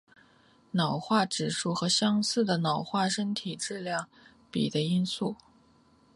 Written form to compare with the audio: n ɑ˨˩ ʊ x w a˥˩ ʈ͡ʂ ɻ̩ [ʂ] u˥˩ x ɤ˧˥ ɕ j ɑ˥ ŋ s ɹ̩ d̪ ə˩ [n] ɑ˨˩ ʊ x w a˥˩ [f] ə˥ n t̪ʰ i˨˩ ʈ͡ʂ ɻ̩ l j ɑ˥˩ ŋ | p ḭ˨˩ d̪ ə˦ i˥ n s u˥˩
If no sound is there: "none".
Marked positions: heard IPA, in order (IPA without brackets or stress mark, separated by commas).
ʂ, n, ʂ